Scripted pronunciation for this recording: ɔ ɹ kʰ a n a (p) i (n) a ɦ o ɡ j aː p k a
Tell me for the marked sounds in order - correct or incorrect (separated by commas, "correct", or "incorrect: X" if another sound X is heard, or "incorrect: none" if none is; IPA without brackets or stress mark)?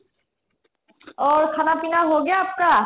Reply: correct, correct